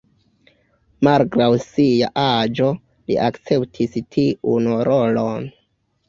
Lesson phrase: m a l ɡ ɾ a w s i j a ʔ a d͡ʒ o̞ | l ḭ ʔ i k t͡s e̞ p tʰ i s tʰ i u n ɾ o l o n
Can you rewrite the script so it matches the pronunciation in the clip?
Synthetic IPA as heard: m a l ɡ ɾ a w s i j a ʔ a d͡ʒ o̞ | l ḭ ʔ a k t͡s e̞ p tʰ i s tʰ i u n ɾ o l o n